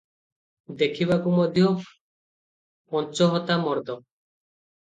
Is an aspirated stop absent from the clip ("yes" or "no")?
no